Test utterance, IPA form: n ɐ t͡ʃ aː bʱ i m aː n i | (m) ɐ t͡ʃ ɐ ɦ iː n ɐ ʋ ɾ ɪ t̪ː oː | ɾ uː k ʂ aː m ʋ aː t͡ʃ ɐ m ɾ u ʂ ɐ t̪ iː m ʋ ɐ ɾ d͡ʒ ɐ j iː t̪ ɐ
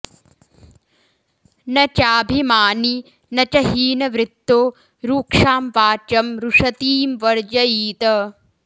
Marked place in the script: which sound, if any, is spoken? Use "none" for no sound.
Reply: n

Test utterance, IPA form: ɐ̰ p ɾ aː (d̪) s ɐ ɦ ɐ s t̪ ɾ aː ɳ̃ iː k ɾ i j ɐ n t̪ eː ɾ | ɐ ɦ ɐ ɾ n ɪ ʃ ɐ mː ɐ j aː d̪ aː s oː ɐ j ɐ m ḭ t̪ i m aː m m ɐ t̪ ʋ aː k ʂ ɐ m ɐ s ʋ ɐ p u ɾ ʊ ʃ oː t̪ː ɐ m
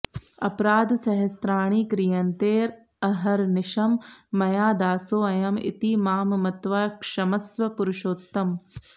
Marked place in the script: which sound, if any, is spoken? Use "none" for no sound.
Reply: d̪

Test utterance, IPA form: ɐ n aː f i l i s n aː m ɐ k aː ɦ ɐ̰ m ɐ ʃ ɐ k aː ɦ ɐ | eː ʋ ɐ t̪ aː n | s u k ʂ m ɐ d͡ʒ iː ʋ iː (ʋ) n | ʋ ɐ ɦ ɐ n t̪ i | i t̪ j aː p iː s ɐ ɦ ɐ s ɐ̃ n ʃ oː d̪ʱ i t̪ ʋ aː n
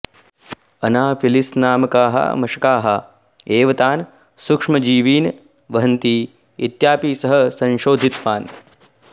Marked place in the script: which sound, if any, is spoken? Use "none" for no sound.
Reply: none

